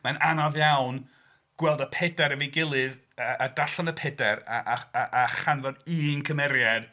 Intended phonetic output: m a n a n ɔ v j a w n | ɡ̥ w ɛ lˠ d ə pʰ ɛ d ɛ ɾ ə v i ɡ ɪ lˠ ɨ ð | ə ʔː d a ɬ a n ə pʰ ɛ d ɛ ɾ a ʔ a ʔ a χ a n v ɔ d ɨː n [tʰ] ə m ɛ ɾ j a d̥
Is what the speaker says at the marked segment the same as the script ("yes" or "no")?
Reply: no